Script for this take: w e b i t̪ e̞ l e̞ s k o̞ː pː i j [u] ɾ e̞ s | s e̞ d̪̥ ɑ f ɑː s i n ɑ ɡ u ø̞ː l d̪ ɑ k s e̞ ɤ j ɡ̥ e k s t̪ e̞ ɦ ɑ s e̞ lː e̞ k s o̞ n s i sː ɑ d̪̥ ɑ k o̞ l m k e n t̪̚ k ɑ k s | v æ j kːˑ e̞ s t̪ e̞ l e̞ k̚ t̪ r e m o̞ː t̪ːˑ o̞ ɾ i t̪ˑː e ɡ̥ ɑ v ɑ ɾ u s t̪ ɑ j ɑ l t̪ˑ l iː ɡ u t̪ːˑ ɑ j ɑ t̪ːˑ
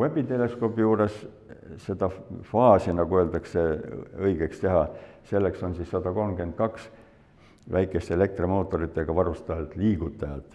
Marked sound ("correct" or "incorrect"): incorrect